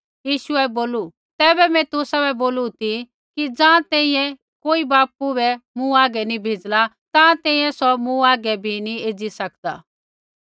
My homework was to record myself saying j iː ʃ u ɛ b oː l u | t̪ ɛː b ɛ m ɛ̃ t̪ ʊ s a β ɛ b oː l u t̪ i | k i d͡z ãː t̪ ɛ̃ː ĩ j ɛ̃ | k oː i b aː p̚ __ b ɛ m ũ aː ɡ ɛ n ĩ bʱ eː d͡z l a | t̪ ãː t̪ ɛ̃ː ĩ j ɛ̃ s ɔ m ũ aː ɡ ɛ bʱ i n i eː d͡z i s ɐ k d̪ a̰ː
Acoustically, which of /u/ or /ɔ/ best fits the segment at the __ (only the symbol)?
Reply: u